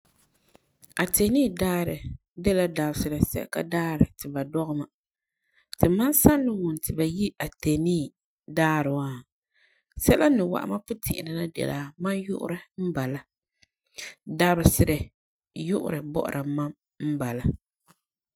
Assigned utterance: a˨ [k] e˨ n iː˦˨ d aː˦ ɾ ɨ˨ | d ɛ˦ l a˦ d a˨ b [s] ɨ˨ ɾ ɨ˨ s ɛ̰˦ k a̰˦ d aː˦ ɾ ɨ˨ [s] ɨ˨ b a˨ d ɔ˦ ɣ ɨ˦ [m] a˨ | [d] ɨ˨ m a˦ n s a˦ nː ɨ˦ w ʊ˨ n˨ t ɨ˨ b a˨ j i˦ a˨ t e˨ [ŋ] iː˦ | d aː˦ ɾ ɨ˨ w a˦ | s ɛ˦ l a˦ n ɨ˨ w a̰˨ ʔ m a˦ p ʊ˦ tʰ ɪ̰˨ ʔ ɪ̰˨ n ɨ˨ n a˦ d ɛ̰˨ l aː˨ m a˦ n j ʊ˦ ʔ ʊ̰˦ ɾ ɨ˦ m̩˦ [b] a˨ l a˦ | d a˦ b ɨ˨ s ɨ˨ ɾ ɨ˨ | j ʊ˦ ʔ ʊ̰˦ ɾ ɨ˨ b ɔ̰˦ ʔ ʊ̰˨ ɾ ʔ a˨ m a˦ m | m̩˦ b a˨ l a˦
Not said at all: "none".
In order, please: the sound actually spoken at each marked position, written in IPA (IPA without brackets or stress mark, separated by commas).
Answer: t, s, t, m, t, n, b